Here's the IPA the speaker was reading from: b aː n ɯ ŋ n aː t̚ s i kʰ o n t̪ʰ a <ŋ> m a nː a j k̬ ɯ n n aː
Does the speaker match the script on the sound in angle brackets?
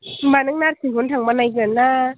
yes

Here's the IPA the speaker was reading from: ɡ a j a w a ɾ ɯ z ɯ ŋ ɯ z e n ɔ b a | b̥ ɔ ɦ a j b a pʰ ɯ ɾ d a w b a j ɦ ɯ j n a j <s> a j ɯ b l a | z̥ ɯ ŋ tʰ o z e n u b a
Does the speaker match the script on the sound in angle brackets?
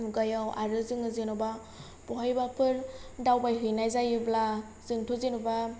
no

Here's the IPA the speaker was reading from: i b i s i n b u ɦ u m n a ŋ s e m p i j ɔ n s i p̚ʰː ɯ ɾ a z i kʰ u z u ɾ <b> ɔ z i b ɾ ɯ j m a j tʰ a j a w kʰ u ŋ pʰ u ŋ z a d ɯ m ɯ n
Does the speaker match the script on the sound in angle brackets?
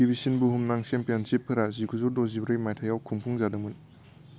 no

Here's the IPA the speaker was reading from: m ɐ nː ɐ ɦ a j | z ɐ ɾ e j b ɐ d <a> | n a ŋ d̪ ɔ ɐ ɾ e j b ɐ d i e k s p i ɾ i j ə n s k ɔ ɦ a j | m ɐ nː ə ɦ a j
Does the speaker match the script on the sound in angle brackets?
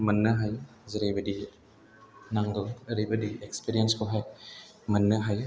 no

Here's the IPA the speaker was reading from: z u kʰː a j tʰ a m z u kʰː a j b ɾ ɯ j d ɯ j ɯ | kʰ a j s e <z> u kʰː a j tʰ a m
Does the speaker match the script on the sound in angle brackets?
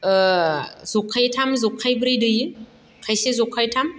yes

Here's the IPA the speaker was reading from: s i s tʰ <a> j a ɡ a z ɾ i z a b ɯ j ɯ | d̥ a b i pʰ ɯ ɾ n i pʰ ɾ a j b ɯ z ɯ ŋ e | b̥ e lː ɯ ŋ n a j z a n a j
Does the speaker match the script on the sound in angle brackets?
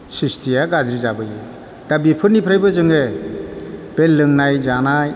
no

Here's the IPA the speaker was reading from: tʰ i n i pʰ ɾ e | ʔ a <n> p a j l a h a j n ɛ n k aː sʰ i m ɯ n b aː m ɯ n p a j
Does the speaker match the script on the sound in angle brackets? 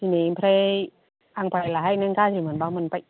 no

